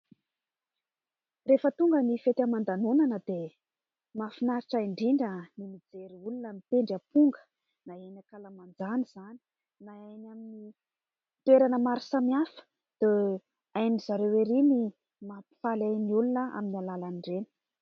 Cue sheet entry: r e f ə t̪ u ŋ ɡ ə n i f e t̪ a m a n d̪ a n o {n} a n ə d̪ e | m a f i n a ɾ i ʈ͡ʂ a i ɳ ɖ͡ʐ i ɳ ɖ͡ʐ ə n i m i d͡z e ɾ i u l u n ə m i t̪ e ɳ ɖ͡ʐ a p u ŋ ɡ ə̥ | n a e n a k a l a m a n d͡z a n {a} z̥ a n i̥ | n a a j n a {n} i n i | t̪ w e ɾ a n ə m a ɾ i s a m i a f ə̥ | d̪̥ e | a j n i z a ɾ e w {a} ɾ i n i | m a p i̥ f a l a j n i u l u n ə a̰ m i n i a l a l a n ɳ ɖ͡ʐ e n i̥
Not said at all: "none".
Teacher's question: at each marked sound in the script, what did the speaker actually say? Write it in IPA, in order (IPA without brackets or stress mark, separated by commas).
n, i, m, e